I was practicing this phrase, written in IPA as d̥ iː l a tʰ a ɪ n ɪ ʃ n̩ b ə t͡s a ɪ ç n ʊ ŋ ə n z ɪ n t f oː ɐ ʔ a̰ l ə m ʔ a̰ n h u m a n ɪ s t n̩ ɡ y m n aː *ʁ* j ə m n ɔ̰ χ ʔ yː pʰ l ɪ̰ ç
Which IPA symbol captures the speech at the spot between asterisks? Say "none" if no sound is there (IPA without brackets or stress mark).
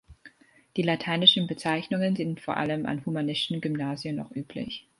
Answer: z